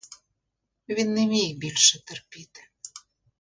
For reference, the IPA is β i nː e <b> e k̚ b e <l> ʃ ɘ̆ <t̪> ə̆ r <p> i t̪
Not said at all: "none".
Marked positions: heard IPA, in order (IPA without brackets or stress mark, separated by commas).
m, l, t̪, p